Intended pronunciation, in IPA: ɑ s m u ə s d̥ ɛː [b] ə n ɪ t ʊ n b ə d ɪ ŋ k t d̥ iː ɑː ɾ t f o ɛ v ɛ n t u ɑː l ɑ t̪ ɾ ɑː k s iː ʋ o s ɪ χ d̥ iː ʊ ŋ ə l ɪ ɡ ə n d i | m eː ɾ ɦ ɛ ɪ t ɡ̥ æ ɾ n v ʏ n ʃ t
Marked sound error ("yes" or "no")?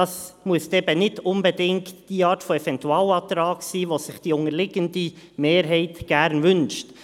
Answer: no